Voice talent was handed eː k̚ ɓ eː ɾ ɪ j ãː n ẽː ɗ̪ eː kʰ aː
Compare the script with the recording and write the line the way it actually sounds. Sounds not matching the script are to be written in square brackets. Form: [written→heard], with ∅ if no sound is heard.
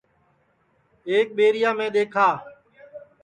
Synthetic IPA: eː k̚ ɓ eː ɾ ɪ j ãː [n→m] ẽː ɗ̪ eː kʰ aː